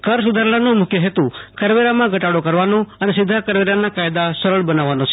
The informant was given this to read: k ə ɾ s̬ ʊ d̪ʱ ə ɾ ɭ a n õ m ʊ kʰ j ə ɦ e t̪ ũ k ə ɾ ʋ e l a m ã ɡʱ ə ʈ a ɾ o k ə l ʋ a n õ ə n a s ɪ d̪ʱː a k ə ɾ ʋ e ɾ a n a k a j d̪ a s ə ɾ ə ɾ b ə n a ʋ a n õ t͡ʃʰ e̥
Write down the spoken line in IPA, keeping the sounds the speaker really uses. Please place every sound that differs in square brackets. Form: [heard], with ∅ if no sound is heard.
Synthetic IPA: k ə ɾ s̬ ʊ d̪ʱ [a] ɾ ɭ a n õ m ʊ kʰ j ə ɦ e t̪ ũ k ə ɾ ʋ e [ɾ] a m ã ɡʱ ə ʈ a [ɽ] o k ə [ɾ] ʋ a n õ ə n [e] s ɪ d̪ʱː a k ə ɾ ʋ e ɾ a n a k a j d̪ a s ə ɾ ə [ɭ] b ə n a ʋ a n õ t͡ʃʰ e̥